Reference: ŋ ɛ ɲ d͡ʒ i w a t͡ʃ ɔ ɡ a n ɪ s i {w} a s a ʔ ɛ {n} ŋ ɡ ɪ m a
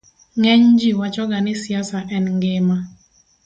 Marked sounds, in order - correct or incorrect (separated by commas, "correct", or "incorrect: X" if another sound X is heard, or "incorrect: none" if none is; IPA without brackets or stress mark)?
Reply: incorrect: none, correct